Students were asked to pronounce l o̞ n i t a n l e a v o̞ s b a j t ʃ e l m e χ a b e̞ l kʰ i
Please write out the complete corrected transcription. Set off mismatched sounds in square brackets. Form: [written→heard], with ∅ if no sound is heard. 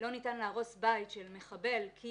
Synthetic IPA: l o̞ n i t a n l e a [v→ʁ] o̞ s b a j t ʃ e l m e χ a b e̞ l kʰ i

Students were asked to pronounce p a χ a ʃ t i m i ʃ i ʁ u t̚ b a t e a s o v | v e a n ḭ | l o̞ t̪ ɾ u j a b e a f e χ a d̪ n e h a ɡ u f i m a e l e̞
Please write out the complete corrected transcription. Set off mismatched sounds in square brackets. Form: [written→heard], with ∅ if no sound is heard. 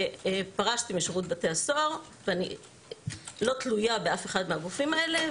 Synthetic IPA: p a [χ→ʁ] a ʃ t i m i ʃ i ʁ u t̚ b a t e a s o [v→ʁ] | v e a n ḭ | l o̞ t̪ [ɾ→l] u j a b e a f e χ a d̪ [n→m] e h a ɡ u f i m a e l e̞

